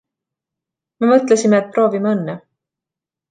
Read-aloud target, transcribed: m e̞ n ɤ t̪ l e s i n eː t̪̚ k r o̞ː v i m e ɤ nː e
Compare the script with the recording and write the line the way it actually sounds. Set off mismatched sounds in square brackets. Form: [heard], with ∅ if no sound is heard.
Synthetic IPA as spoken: m e̞ [m] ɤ t̪ l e s i [m] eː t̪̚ [p] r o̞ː v i m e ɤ nː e

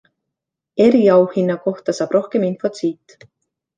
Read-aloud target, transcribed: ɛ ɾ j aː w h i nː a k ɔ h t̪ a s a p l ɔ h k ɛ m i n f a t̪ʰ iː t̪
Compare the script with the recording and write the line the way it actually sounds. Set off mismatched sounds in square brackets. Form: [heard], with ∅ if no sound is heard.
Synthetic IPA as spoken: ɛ ɾ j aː w h i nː a k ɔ h t̪ a s a p [ɾ] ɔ h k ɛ m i n f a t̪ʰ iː t̪

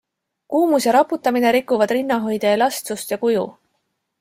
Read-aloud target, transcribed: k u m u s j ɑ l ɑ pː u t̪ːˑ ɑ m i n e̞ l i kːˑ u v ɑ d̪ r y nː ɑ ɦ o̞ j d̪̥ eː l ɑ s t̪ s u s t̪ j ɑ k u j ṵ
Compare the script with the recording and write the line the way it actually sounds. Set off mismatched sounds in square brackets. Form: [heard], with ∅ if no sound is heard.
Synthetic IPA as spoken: k [uː] m u s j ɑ [ɾ] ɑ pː u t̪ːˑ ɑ m i n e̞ [ɾ] i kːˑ u v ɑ d̪ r [i] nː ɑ ɦ o̞ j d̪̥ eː l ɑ s t̪ s u s t̪ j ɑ k u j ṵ

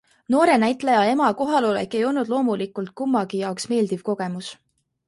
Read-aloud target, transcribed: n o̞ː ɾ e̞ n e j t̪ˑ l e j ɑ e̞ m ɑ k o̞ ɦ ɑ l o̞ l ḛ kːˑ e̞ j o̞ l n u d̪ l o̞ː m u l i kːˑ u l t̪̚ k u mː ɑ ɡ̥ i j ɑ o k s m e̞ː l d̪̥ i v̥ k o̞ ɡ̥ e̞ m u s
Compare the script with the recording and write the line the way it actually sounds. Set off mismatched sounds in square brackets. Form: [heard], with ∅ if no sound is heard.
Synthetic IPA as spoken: n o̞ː ɾ e̞ n [æ] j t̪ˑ l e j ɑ e̞ m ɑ k o̞ ɦ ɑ l o̞ l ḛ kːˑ e̞ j o̞ l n u d̪ l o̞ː m u l i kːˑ u l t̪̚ k u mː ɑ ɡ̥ i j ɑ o k s m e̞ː l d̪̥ i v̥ k o̞ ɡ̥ e̞ m u s

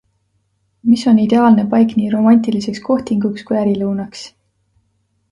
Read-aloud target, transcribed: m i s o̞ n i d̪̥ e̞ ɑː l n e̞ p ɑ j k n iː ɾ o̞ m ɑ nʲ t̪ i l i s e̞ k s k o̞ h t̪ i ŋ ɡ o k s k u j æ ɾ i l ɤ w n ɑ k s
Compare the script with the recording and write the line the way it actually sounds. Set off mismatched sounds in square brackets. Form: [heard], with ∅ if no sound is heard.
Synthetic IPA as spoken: m i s o̞ n i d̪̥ e̞ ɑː l n e̞ p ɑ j k n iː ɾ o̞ m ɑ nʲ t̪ i l i s e̞ k s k o̞ h t̪ i ŋ ɡ [u] k s k u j æ ɾ i l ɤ w n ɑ k s

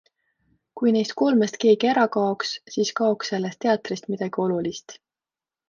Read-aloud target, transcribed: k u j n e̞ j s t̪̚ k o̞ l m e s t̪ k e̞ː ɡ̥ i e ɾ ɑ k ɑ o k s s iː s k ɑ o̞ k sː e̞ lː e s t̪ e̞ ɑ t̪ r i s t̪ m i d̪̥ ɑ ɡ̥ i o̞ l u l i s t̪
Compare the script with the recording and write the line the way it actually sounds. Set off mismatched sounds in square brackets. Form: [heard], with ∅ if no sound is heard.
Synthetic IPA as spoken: k u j n e̞ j s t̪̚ k o̞ l m e s t̪ k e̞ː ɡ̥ i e ɾ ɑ k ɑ o k s s iː s k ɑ o̞ k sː e̞ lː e s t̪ e̞ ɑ t̪ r i s t̪ m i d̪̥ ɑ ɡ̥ i o̞ l u l i s t̪

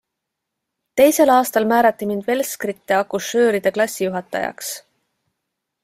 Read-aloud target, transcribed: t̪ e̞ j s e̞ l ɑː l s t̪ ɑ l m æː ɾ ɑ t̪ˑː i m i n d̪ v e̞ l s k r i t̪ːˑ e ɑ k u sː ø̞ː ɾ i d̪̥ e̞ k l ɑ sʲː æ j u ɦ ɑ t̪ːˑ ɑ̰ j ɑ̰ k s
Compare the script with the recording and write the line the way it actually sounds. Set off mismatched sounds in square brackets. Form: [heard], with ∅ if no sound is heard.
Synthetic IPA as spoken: t̪ e̞ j s e̞ l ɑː [∅] s t̪ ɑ l m æː ɾ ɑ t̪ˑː i m i n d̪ v e̞ l s k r i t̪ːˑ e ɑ k u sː ø̞ː ɾ i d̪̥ e̞ k l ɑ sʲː [i] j u ɦ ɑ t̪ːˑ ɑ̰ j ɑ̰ k s

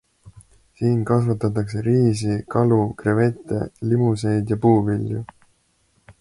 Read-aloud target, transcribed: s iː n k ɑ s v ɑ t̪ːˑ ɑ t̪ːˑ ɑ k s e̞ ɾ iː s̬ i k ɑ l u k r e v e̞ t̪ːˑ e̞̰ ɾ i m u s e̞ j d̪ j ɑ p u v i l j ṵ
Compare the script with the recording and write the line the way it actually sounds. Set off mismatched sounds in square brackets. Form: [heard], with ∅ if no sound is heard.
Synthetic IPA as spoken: s iː n k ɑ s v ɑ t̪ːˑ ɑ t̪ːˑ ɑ k s e̞ ɾ iː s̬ i k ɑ l u k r e v e̞ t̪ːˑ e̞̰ [l] i m u s e̞ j d̪ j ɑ p [uː] v i l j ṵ

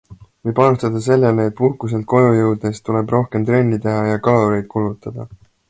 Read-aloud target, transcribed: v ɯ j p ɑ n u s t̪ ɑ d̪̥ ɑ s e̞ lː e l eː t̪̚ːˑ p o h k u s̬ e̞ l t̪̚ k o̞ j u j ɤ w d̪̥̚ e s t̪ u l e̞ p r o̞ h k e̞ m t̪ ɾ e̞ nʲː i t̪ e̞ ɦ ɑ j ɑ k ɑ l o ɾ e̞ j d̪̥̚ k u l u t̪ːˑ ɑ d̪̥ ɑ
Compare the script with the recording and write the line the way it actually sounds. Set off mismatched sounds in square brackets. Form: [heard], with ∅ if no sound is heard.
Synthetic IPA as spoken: v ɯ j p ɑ n u s t̪ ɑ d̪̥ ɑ s e̞ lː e l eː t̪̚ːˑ p [u] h k u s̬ e̞ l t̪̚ k o̞ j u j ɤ w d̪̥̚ e s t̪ u l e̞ [b] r o̞ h k e̞ m t̪ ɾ e̞ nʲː i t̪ e̞ ɦ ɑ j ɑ k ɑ l o ɾ e̞ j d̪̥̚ k u l u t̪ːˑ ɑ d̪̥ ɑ

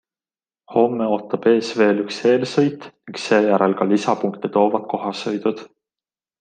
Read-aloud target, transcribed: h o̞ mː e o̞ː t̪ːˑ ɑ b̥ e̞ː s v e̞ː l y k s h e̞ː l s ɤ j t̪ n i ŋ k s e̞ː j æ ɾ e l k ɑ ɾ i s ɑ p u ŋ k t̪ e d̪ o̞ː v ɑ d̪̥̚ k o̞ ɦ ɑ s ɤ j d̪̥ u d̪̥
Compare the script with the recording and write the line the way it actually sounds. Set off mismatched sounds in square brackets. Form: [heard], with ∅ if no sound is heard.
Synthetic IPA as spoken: h o̞ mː e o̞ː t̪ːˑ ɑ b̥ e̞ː s v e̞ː l y k s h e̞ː l s ɤ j t̪ n i ŋ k s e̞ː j æ ɾ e l k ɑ [l] i s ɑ p u ŋ k t̪ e [t̪] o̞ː v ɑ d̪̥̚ k o̞ ɦ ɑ s ɤ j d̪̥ u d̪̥

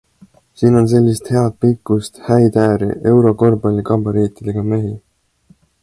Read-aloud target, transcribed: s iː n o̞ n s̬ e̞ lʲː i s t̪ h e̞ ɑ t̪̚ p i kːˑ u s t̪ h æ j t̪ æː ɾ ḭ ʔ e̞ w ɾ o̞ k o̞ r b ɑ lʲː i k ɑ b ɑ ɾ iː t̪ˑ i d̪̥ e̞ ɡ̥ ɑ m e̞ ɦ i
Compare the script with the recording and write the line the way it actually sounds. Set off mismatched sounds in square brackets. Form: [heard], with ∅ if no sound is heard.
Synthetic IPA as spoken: s iː n o̞ n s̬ e̞ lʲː i s t̪ h e̞ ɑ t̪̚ p i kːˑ u s t̪ h æ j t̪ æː ɾ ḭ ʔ e̞ w ɾ o̞ k o̞ r b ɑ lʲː i k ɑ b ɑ ɾ iː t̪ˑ i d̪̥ e̞ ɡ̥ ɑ m e̞ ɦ i

